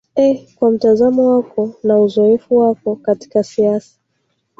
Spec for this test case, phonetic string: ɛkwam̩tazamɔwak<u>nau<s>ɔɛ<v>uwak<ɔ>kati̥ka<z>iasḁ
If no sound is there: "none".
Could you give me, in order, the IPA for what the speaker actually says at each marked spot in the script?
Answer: ɔ, z, f, ɔ, s

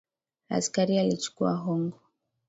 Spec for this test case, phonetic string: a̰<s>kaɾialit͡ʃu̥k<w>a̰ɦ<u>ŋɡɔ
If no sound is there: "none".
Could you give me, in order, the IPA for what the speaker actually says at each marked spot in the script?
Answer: s, u, ɔ

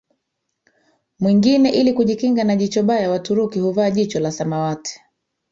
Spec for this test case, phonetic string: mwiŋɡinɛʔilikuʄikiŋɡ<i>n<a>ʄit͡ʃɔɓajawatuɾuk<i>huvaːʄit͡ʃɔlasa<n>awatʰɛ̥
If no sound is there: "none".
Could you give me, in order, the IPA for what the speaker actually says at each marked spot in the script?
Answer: a, a, i, m

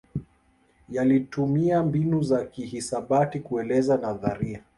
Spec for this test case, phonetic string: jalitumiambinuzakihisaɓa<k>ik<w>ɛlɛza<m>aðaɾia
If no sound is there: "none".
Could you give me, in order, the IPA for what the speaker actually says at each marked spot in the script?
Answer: t, u, n

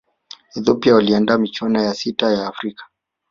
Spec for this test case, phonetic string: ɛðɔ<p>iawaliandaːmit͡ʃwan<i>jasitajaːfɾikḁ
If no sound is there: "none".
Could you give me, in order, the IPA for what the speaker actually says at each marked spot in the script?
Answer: p, a

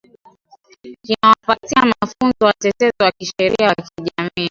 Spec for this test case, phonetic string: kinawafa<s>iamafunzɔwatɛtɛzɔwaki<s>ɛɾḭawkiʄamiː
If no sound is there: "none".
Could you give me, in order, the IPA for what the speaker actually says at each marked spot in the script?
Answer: t, ʃ

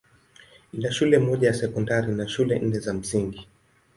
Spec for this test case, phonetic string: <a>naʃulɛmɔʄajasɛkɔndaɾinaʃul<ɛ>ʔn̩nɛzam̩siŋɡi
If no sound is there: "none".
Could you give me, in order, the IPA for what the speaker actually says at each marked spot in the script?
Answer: i, ɛ

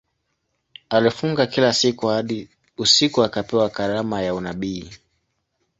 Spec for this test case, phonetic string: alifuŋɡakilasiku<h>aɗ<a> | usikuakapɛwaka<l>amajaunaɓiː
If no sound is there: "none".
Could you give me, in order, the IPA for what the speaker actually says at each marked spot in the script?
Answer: h, i, ɾ

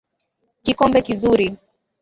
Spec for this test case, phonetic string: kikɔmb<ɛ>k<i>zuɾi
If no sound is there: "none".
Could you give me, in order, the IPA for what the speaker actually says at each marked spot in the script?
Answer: ɛ, i

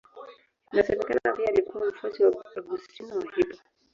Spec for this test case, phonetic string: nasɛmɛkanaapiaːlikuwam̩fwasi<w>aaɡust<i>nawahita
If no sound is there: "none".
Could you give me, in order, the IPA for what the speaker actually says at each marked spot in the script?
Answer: w, i

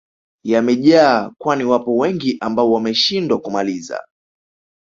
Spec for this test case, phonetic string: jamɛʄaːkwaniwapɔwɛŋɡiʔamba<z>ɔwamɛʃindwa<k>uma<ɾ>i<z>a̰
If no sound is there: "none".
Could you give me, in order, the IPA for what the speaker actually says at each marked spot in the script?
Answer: none, k, l, z

